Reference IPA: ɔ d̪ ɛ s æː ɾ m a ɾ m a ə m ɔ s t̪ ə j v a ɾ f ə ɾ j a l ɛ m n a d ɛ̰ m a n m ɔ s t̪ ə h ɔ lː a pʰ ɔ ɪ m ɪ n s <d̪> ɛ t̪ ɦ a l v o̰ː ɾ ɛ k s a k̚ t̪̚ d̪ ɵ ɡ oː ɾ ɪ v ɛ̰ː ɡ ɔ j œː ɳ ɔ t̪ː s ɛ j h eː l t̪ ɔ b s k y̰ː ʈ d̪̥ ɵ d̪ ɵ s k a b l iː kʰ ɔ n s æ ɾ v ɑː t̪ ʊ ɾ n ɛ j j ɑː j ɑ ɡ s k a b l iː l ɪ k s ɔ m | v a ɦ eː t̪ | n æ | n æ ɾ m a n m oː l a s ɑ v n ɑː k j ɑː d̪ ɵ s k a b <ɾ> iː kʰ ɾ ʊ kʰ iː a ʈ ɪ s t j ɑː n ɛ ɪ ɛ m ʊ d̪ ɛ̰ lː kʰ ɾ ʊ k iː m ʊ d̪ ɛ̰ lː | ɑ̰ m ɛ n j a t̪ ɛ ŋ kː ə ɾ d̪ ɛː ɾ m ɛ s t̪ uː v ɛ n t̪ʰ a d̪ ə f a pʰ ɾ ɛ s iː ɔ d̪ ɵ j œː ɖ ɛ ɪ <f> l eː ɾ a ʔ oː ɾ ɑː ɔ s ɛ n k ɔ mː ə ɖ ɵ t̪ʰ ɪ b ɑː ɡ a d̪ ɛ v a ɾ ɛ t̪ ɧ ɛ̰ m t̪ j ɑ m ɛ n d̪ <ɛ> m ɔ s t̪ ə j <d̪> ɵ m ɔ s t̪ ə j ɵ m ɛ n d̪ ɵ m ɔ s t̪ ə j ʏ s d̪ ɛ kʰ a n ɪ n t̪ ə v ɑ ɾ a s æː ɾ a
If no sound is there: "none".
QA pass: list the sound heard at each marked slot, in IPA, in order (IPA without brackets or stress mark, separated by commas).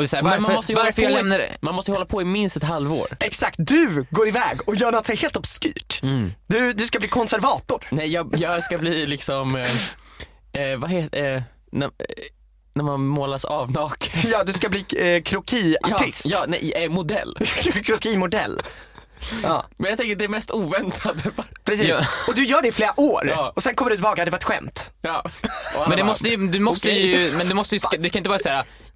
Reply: t̪, l, f, ɛ, d̪